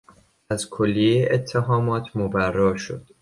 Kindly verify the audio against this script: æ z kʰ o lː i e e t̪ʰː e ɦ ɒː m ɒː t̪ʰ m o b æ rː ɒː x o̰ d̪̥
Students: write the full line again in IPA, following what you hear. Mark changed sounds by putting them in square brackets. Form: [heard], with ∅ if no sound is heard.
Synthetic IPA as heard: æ z kʰ o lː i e e t̪ʰː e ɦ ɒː m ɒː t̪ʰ m o b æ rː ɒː [ʃ] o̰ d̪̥